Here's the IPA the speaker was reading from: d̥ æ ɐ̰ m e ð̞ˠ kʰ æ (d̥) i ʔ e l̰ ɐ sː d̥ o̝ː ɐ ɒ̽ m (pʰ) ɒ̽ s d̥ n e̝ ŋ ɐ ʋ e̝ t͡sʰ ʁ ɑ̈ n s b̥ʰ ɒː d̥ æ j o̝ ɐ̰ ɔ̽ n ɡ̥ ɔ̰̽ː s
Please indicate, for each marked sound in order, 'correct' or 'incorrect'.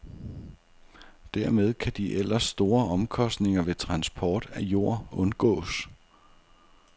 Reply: correct, incorrect

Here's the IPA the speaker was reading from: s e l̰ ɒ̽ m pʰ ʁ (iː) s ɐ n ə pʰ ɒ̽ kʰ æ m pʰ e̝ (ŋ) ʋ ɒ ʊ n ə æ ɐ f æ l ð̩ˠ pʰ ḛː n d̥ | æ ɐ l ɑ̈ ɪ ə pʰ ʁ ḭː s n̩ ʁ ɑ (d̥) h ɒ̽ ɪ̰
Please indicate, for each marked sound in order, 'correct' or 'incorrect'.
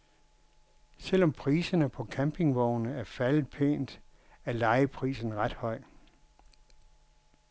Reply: correct, correct, correct

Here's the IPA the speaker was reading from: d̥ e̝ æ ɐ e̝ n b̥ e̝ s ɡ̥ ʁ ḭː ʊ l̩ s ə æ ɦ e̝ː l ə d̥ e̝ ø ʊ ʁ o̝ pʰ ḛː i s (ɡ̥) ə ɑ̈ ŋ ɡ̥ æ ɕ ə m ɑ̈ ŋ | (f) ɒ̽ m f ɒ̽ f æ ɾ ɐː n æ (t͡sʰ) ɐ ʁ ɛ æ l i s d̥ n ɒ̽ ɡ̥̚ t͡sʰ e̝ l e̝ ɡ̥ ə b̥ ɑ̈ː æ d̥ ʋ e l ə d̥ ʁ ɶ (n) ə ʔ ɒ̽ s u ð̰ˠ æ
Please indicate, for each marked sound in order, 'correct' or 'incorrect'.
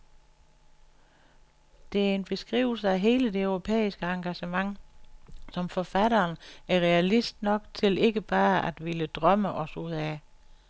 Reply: correct, incorrect, incorrect, incorrect

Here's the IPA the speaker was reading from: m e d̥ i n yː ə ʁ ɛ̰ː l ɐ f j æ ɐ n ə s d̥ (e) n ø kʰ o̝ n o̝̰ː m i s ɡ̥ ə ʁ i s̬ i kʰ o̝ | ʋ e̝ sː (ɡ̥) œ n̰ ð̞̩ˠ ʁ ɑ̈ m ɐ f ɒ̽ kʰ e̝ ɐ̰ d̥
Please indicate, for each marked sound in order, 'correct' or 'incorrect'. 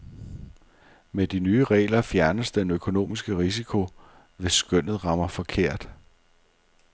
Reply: correct, correct

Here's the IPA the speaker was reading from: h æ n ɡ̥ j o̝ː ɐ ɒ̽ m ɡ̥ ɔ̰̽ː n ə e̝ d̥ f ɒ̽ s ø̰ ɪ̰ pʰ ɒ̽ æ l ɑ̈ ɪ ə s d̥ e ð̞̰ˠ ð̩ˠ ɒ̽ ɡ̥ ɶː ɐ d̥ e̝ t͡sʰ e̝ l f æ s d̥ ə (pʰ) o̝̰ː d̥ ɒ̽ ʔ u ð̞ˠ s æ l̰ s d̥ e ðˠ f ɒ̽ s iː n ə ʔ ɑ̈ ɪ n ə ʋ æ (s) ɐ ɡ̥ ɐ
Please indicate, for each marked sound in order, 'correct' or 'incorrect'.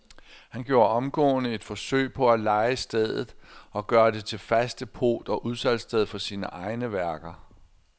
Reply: correct, incorrect

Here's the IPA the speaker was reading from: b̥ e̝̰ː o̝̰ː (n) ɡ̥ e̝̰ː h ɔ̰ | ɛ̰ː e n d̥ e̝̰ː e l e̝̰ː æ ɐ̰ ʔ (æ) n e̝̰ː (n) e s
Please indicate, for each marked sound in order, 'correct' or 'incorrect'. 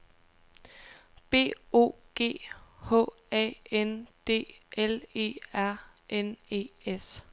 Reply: incorrect, incorrect, incorrect

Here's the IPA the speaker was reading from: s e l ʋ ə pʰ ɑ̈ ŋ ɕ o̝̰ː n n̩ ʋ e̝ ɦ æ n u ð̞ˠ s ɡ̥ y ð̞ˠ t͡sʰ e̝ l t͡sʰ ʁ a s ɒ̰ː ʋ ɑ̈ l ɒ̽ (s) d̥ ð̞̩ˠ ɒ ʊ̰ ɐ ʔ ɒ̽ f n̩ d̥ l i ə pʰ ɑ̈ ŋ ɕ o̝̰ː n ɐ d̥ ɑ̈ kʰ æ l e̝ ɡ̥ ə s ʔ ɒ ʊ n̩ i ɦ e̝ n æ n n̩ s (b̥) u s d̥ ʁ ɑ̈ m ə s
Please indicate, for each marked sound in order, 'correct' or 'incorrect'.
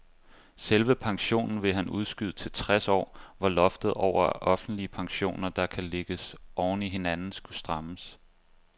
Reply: incorrect, incorrect

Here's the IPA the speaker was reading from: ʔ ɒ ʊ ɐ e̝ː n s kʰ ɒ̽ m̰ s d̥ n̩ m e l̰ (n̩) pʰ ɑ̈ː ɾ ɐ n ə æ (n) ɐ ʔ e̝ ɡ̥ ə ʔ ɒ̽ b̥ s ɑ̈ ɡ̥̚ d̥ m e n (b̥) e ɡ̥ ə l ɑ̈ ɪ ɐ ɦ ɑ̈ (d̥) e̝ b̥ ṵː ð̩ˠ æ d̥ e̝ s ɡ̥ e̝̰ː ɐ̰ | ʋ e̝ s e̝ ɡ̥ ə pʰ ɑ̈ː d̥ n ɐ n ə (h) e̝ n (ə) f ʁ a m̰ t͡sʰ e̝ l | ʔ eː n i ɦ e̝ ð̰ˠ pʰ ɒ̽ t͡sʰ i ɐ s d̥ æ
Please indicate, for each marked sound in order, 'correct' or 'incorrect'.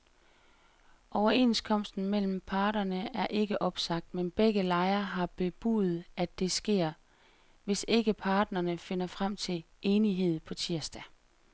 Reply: incorrect, incorrect, correct, incorrect, incorrect, incorrect

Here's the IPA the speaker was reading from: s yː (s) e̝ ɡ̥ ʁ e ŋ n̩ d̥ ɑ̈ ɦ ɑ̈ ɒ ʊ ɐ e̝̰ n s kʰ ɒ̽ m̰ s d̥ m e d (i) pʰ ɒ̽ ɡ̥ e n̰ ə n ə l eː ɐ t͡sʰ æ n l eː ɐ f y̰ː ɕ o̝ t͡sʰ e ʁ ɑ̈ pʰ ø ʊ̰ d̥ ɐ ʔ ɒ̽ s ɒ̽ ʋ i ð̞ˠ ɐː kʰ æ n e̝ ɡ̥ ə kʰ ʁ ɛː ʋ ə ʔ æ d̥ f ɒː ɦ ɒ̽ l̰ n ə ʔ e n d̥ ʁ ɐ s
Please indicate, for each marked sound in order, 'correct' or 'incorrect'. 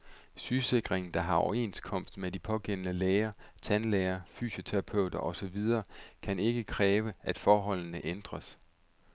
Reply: correct, correct

